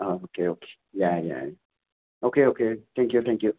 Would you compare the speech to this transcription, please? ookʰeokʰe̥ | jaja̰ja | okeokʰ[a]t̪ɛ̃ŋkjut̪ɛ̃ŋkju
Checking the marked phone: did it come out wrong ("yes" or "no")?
yes